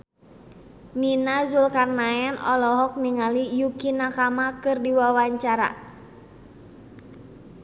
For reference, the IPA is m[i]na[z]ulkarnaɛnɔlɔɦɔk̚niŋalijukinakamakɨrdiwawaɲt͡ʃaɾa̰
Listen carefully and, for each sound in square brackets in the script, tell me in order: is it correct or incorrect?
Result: correct, correct

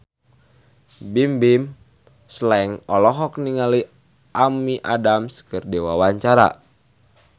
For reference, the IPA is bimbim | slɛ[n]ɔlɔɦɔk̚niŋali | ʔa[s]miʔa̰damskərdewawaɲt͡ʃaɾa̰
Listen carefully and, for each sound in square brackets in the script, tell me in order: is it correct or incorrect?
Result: incorrect: ŋ, incorrect: none

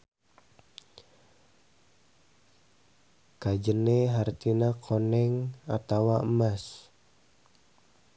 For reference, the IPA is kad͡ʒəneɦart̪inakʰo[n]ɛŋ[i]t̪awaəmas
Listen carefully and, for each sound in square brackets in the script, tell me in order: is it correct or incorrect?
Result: correct, incorrect: a

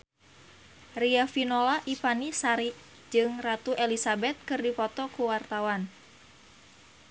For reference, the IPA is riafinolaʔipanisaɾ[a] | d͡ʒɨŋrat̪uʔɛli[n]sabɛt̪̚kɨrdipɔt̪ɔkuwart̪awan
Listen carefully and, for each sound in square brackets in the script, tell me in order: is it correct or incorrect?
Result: incorrect: i, incorrect: none

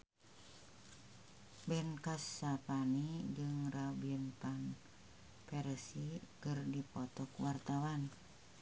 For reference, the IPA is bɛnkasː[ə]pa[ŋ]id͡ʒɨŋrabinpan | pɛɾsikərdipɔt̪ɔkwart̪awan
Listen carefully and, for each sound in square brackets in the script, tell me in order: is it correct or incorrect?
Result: incorrect: a, incorrect: n

